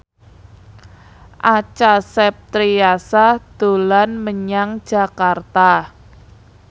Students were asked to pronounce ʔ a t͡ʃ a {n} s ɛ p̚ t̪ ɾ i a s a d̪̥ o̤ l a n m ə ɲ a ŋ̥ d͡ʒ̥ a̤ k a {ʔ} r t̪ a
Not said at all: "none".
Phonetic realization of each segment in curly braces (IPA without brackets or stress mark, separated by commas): none, none